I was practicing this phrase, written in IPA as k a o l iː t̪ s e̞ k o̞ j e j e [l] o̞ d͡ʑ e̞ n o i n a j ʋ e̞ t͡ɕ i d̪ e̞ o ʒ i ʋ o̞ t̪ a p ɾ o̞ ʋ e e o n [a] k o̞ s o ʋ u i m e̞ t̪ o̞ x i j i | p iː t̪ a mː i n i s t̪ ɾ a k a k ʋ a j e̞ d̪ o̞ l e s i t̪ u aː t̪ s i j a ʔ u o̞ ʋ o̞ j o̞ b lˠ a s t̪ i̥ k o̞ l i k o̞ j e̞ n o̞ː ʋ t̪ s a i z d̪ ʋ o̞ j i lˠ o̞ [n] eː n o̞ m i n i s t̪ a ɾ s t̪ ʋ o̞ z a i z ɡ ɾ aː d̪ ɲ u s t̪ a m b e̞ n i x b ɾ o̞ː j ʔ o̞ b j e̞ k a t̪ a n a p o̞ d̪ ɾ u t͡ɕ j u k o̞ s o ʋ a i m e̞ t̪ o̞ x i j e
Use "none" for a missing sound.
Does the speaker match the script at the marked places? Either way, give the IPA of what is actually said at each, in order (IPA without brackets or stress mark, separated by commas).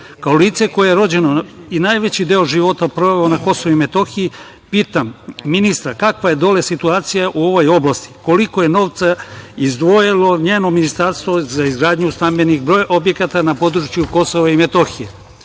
ɾ, a, ɲ